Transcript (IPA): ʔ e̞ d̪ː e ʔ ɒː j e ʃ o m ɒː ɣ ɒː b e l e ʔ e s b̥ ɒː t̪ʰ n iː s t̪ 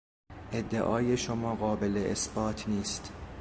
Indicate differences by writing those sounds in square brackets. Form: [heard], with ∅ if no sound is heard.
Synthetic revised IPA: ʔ e̞ d̪ː e ʔ ɒː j e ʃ o m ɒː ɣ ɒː b e l e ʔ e s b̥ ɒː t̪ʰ n iː s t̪